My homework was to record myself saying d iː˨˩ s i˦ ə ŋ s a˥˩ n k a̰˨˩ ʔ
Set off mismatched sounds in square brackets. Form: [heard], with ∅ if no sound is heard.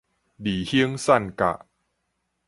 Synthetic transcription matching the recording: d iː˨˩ [h] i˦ ə ŋ s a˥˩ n k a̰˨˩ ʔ